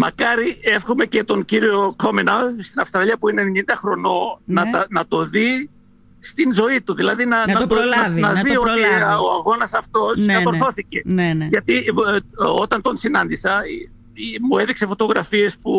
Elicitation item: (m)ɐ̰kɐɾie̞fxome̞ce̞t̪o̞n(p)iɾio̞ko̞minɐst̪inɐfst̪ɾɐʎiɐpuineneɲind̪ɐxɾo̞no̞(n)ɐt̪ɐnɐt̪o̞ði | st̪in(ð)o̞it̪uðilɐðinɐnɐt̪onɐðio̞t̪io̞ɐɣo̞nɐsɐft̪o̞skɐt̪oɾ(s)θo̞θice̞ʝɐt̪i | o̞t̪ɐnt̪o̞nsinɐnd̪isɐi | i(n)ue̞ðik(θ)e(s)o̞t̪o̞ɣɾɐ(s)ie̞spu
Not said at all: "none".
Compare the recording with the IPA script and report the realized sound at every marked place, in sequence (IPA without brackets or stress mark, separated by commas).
m, c, n, z, θ, m, s, f, f